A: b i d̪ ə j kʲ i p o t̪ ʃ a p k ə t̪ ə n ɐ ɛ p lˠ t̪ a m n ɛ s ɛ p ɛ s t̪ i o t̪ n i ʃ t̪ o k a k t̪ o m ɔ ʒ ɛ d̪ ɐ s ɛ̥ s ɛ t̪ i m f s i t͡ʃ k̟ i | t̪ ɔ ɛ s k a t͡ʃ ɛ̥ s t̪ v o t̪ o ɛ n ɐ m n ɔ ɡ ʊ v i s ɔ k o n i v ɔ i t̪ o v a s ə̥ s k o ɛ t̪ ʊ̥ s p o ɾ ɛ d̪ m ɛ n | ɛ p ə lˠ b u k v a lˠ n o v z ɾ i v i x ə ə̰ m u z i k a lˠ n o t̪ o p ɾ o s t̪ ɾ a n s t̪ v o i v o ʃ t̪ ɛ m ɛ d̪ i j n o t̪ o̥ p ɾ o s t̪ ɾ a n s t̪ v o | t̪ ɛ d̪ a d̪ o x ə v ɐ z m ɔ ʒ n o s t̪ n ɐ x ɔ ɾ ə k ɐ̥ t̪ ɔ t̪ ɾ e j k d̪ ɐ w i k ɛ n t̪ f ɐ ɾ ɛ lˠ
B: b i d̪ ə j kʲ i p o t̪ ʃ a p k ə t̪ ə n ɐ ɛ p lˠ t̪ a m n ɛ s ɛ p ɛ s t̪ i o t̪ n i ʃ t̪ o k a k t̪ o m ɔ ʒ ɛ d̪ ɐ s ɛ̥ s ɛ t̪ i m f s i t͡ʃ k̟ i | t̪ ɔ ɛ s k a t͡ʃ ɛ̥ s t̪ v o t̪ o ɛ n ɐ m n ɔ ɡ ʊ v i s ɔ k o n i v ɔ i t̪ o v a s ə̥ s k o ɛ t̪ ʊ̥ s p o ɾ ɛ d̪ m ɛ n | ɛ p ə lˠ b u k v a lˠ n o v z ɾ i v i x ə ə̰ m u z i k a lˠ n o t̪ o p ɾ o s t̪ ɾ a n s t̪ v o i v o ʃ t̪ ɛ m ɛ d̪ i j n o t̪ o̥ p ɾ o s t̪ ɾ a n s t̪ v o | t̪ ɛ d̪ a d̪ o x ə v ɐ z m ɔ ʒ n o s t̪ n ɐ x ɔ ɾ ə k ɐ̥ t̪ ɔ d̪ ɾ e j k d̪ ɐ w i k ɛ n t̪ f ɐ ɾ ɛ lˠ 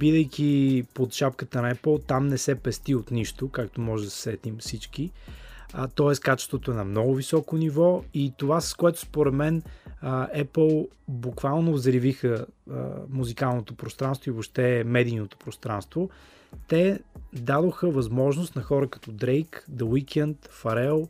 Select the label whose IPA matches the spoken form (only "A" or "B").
B